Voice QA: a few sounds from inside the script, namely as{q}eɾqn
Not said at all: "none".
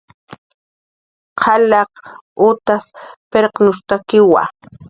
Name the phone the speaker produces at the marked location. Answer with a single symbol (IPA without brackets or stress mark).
p